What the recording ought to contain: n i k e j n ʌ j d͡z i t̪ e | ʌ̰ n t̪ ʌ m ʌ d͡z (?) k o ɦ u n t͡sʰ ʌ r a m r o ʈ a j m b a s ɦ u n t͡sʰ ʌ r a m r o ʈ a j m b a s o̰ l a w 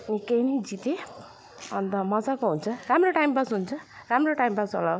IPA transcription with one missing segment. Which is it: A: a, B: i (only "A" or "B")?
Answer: A